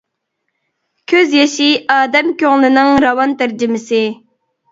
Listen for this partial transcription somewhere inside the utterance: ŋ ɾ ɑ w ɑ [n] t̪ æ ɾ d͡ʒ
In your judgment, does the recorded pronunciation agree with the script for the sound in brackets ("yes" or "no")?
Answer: yes